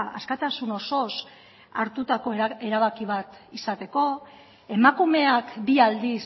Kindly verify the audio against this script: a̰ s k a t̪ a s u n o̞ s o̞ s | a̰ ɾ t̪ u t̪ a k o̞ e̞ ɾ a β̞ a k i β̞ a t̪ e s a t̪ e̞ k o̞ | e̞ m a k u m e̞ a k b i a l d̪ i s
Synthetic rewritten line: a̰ s k a t̪ a s u n o̞ s o̞ s | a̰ ɾ t̪ u t̪ a k o̞ e̞ ɾ a β̞ a k i β̞ a t̪ i s a t̪ e̞ k o̞ | e̞ m a k u m e̞ a k b i a l d̪ i s